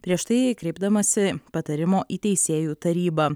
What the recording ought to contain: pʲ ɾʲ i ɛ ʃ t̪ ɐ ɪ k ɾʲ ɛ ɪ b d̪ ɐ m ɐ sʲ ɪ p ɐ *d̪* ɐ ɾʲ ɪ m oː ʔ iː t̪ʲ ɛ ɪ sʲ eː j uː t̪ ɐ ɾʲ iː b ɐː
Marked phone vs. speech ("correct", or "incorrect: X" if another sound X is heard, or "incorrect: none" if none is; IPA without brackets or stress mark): incorrect: t̪